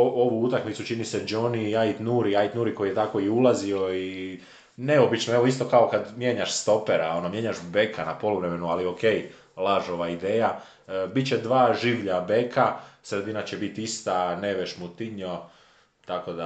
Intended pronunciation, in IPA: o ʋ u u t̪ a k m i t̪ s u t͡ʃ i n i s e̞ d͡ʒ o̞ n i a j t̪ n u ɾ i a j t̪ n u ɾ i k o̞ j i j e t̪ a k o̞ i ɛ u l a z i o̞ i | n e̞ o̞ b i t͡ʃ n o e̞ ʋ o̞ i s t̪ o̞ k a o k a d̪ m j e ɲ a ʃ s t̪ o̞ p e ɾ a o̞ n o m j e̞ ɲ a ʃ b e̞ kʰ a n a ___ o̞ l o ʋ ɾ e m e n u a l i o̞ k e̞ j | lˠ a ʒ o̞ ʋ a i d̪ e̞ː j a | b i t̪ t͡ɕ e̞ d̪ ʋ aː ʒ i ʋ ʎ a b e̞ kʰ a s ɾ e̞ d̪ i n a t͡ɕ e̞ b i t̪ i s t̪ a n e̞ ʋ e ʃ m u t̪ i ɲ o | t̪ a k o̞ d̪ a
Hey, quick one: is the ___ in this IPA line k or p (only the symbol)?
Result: p